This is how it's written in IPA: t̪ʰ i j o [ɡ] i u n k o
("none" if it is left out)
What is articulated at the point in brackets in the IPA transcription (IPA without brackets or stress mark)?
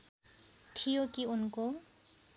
k